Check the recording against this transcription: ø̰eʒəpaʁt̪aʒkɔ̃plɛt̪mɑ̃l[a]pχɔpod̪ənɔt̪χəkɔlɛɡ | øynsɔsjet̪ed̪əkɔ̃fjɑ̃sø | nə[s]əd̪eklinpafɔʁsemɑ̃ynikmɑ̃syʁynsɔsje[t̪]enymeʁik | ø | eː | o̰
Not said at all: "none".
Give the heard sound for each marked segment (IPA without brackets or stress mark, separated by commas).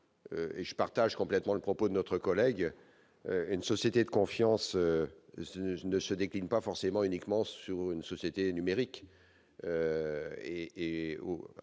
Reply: ə, s, t̪